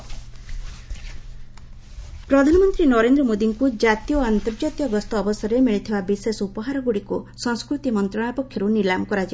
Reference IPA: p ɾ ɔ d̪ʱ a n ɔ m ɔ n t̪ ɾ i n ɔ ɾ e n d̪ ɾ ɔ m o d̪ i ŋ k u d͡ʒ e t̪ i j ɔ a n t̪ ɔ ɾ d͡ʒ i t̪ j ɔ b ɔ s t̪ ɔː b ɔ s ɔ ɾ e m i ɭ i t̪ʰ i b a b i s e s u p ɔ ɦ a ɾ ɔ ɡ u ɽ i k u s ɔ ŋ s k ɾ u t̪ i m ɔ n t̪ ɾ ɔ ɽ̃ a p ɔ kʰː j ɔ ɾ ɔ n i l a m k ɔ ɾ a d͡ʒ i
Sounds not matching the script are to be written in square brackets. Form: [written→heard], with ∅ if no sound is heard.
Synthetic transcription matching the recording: p ɾ ɔ d̪ʱ a n ɔ m ɔ n t̪ ɾ i n ɔ ɾ e n d̪ ɾ ɔ m o d̪ i ŋ k u d͡ʒ [e→a] t̪ i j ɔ a n t̪ ɔ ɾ d͡ʒ [i→a] t̪ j ɔ [b→ɡ] ɔ s t̪ ɔː b ɔ s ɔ ɾ e m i ɭ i t̪ʰ i b a b i s e s u p ɔ ɦ a ɾ ɔ ɡ u ɽ i k u s ɔ ŋ s k ɾ u t̪ i m ɔ n t̪ ɾ ɔ ɽ̃ a p ɔ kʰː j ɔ ɾ [ɔ→u] n i l a m k ɔ ɾ a d͡ʒ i